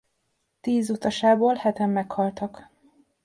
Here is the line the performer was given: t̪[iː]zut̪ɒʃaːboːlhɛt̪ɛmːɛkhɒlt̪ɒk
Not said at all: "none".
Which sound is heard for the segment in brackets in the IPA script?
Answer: iː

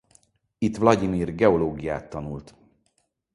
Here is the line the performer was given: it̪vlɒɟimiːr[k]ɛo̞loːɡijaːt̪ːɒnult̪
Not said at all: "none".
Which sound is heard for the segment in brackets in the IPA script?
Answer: ɡ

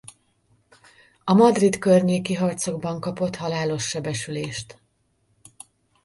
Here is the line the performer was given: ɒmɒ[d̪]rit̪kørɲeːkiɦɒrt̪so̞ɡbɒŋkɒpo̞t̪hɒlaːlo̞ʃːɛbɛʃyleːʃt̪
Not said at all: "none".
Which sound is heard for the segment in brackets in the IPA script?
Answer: d̪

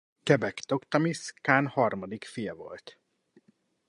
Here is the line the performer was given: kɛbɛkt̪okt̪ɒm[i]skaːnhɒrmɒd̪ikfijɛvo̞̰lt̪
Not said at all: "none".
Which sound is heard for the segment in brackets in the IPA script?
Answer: i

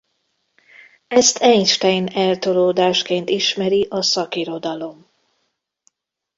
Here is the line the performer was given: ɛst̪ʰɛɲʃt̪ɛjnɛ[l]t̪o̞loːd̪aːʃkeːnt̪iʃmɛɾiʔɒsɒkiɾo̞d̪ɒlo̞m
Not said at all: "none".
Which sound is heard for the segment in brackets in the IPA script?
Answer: l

